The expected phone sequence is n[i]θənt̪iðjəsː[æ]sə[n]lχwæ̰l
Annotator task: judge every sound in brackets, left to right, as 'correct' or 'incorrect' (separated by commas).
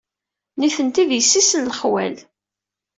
correct, incorrect, correct